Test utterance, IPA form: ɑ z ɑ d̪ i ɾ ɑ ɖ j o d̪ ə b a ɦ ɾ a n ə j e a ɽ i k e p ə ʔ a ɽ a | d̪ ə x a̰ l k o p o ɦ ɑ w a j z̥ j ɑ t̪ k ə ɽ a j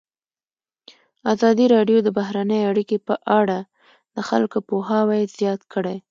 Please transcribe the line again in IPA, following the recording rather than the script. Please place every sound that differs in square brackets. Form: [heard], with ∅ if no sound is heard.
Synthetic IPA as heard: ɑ z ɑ d̪ i ɾ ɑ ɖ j o d̪ ə b a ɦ ɾ a n ə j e a ɽ i k e p ə ʔ a ɽ a | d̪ ə x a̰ l k o p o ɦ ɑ w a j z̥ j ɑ t̪ k ə ɽ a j